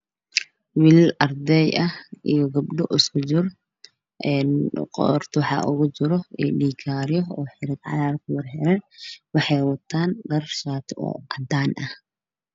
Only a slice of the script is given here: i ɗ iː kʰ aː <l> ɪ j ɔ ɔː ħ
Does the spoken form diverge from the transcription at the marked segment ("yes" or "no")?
yes